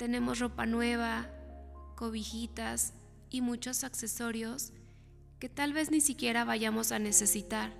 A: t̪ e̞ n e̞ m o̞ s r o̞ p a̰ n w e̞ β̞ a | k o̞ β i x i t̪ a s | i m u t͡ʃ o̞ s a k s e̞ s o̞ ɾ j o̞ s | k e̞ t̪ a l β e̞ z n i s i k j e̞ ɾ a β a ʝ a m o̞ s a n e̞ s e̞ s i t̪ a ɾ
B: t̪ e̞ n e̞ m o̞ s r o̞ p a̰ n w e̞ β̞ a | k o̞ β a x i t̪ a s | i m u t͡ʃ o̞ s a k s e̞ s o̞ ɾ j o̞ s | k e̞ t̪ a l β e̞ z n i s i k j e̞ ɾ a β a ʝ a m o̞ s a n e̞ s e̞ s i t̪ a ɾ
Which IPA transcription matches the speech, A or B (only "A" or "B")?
A